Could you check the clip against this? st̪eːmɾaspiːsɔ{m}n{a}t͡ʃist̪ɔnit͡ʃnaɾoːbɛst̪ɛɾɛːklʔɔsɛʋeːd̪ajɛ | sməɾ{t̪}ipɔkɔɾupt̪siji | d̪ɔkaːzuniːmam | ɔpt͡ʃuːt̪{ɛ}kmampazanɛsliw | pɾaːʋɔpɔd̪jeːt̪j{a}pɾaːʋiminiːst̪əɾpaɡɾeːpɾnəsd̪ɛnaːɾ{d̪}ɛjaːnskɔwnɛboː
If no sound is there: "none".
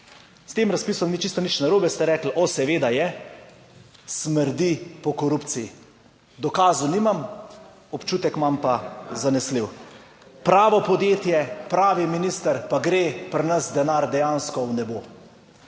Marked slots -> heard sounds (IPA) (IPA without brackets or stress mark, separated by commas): m, i, d̪, ɛ, ɛ, d̪